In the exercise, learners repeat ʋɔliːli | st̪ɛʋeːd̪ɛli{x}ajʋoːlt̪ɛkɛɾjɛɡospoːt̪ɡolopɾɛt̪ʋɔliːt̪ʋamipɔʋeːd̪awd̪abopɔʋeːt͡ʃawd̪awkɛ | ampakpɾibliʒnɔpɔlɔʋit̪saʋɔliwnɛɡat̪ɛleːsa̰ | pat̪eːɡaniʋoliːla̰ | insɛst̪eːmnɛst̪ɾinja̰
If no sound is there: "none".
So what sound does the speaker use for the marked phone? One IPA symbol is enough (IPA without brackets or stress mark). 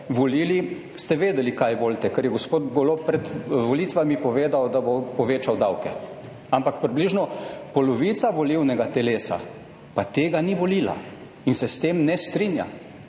k